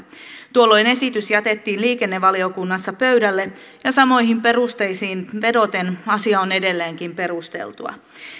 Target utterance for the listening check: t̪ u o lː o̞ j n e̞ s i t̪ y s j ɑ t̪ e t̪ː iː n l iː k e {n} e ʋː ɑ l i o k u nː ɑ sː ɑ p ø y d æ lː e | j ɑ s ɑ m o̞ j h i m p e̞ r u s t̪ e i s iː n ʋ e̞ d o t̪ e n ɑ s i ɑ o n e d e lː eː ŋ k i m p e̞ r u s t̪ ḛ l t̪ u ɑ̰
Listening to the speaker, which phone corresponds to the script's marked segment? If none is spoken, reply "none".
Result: nː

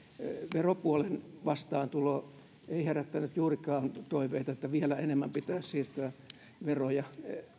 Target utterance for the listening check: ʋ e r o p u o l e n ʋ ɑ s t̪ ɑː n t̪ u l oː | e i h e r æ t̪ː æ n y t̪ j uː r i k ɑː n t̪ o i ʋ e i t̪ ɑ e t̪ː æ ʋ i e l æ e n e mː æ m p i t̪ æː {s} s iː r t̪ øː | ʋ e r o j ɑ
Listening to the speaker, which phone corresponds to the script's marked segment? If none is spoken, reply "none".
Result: s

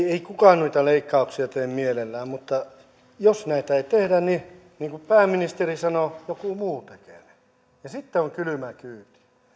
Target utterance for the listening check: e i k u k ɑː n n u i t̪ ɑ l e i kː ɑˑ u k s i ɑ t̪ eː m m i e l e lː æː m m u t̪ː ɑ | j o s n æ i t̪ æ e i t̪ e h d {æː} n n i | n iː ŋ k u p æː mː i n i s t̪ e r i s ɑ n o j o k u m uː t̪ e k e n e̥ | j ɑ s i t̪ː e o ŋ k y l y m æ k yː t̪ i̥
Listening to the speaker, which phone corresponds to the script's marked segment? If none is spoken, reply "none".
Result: æ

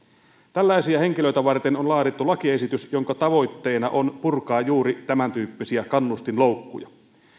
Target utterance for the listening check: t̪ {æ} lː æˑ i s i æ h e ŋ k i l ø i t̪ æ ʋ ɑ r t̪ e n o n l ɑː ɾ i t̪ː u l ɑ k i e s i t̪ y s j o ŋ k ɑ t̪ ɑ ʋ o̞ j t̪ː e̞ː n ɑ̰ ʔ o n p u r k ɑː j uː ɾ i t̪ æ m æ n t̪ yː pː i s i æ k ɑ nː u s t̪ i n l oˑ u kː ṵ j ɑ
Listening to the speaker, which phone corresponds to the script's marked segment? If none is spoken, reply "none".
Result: æ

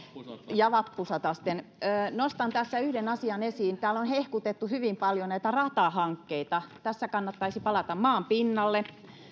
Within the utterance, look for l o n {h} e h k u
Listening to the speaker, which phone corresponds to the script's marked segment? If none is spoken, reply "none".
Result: h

